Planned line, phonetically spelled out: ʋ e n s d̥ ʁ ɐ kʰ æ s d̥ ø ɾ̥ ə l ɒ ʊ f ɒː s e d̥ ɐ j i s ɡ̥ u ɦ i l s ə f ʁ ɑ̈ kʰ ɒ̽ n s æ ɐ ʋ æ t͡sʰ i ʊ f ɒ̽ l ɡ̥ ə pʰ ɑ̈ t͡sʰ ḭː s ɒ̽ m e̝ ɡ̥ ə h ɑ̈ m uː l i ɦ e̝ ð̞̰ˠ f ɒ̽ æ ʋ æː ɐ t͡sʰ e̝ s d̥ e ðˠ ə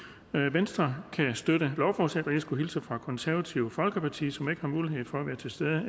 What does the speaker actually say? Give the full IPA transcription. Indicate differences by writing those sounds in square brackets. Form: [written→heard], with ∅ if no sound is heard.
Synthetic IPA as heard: ʋ e n s d̥ ʁ ɐ kʰ æ s d̥ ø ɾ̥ ə l ɒ ʊ f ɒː s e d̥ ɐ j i s ɡ̥ u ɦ i l s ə f ʁ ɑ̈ kʰ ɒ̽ n s æ ɐ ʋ æ t͡sʰ i ʊ f ɒ̽ l ɡ̥ ə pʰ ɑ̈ t͡sʰ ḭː s ɒ̽ m e̝ ɡ̥ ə h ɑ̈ m uː l i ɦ e̝ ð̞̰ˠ f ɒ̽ æ ʋ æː ɐ t͡sʰ e̝ s d̥ e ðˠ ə

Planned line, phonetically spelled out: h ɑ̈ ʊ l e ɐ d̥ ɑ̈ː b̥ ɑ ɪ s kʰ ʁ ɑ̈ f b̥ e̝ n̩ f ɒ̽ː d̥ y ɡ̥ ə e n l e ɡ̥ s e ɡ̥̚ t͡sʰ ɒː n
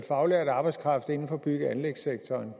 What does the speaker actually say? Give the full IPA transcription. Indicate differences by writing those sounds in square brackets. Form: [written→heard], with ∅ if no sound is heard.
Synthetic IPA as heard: [h→f] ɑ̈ ʊ l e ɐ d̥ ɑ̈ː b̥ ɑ ɪ s kʰ ʁ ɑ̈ f [b̥→d̥] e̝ n̩ f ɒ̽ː [d̥→b̥] y ɡ̥ ə [e→æ] n l e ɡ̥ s e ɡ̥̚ t͡sʰ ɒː n

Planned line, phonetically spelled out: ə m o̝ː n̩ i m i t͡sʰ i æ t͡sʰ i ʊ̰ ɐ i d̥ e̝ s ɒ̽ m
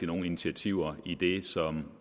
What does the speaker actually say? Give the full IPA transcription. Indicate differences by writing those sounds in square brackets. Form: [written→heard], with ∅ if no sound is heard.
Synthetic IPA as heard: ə [m→n] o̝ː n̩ i [m→n] i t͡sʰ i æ t͡sʰ i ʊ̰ ɐ i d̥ e̝ s ɒ̽ m

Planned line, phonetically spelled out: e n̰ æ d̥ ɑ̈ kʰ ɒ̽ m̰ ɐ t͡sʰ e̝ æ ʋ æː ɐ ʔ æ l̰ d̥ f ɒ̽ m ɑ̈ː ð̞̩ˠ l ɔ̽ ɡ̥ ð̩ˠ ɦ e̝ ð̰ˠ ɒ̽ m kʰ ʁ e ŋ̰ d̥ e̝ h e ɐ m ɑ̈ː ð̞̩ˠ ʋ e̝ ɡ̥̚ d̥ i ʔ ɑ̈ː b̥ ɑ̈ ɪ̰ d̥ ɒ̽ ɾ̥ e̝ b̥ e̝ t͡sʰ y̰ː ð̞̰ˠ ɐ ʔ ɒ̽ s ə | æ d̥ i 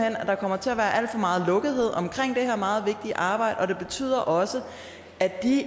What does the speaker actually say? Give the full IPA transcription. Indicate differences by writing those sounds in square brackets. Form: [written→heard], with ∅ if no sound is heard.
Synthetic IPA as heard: e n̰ æ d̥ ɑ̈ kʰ ɒ̽ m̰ ɐ t͡sʰ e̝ æ ʋ æː ɐ ʔ æ l̰ d̥ f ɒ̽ m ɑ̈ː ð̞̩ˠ l ɔ̽ ɡ̥ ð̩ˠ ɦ e̝ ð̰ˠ ɒ̽ m kʰ ʁ e ŋ̰ d̥ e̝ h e ɐ m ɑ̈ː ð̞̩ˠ ʋ e̝ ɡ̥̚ d̥ i ʔ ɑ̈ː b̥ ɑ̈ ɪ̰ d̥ ɒ̽ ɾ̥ e̝ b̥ e̝ t͡sʰ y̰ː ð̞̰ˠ ɐ ʔ ɒ̽ s ə | æ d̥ i

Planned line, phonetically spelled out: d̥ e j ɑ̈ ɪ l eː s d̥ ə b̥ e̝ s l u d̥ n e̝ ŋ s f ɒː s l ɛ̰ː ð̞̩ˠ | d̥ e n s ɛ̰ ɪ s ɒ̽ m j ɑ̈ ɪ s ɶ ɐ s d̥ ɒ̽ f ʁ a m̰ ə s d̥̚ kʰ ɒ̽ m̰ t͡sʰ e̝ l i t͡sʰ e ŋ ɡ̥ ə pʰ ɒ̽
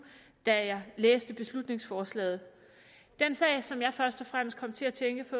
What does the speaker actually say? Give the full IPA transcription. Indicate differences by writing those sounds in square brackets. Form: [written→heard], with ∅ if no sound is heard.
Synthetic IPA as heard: d̥ [e→æ] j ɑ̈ ɪ l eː s d̥ ə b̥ e̝ s l u d̥ n e̝ ŋ s f ɒː s l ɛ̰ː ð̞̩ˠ | d̥ e n s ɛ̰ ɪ s ɒ̽ m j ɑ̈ ɪ [s→f] ɶ ɐ s d̥ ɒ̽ f ʁ a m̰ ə s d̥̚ kʰ ɒ̽ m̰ t͡sʰ e̝ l [i→æ] t͡sʰ e ŋ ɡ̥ ə pʰ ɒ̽

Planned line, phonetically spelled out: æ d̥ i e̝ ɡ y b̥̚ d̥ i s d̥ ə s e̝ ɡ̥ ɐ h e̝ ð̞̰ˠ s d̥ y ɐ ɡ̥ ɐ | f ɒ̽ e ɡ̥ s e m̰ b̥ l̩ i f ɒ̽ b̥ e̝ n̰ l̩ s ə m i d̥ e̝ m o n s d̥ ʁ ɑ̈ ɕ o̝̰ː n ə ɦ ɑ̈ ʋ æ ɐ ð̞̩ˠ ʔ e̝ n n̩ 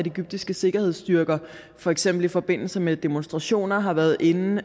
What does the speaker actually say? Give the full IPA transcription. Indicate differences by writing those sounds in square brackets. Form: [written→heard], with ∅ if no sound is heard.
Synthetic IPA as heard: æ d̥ i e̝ ɡ y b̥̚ d̥ i s [d̥→ɡ̥] ə s e̝ ɡ̥ ɐ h e̝ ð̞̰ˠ s d̥ y ɐ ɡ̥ ɐ | f ɒ̽ e ɡ̥ s e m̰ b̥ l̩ i f ɒ̽ b̥ e̝ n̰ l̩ s ə m [i→e] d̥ e̝ m o n s d̥ ʁ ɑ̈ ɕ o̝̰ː n [ə→ɐ] ɦ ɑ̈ ʋ æ ɐ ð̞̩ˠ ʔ e̝ n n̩

